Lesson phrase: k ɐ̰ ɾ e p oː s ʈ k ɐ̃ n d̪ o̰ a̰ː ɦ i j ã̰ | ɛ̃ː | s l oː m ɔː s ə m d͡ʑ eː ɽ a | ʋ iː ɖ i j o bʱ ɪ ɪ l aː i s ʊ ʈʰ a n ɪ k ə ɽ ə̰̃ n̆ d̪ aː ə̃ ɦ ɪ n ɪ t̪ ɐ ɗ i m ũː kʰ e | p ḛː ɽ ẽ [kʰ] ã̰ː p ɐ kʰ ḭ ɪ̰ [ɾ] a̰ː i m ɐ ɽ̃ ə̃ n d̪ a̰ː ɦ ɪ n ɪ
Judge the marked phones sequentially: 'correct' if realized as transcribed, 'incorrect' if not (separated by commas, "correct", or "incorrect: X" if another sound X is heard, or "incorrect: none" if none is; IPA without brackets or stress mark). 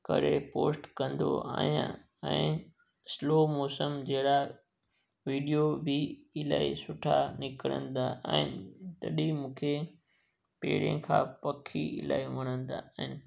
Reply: correct, incorrect: l